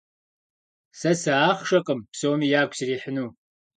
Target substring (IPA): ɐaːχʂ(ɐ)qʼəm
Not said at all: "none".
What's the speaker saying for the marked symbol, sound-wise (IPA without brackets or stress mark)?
ɐ